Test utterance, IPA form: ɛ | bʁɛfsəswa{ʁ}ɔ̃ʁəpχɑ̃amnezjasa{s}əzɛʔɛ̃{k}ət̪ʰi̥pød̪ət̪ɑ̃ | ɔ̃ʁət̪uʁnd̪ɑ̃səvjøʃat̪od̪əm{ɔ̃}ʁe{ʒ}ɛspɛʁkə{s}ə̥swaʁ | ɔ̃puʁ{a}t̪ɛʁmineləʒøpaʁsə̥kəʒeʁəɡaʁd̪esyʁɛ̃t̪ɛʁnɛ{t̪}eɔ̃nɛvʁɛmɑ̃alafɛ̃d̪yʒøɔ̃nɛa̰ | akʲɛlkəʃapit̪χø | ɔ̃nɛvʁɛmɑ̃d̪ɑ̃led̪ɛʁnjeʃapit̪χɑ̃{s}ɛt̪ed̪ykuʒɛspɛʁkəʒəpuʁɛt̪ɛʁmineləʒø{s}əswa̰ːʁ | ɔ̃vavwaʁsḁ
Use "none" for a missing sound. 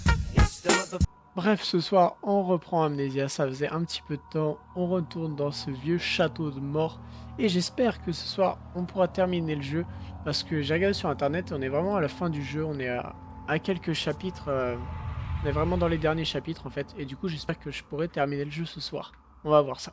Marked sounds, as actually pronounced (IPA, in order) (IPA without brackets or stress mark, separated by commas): ʁ, f, p, ɔ, ʒ, s, a, t̪, f, s